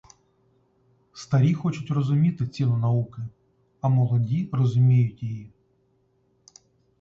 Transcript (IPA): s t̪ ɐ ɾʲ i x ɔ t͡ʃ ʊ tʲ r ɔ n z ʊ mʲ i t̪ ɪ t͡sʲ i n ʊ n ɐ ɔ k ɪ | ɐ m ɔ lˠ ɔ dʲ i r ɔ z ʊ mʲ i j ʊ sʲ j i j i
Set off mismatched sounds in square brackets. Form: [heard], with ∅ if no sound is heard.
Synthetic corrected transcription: s t̪ ɐ ɾʲ i x ɔ t͡ʃ ʊ tʲ r ɔ [∅] z ʊ mʲ i t̪ ɪ t͡sʲ i n ʊ n ɐ [u] k ɪ | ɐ m ɔ lˠ ɔ dʲ i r ɔ z ʊ mʲ i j ʊ [tʲ] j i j i